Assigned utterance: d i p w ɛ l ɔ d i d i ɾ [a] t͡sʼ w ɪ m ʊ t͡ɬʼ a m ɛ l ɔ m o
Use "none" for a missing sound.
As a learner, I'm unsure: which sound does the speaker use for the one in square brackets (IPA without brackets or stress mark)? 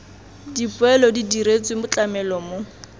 e